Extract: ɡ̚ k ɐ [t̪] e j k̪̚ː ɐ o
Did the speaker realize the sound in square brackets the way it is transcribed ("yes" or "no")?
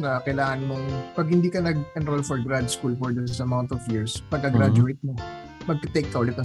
yes